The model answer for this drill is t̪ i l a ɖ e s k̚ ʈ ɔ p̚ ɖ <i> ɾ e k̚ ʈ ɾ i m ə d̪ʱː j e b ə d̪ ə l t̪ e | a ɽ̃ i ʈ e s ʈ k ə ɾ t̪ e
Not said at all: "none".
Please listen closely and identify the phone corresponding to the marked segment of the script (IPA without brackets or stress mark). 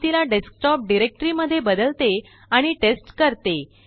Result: i